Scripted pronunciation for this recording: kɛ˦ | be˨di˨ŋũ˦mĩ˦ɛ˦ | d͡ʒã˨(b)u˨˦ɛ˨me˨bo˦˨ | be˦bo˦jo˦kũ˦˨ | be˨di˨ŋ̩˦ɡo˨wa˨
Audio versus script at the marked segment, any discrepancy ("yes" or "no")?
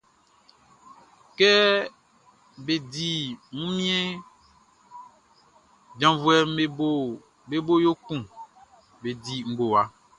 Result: yes